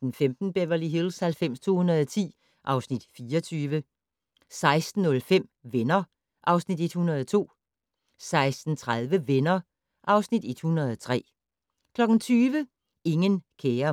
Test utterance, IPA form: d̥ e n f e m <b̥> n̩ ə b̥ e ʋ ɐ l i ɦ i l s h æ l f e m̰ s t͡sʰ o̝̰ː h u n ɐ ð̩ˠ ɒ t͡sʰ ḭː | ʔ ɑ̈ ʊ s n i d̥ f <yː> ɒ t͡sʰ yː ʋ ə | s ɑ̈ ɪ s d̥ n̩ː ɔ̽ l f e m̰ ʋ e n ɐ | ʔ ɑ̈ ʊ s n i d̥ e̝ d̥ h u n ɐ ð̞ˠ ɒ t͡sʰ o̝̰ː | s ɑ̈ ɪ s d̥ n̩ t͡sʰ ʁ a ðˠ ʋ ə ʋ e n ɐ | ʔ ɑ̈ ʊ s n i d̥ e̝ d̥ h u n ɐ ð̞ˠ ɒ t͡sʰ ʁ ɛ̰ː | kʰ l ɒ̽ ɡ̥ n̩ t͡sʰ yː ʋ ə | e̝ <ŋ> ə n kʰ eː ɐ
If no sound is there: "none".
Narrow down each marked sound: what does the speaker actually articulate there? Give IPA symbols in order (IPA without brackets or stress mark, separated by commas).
d̥, iː, ŋ